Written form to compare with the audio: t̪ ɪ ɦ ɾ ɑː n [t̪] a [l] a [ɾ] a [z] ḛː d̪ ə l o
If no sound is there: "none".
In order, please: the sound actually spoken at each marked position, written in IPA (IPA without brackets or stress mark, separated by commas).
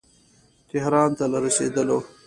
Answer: t̪, l, ɾ, s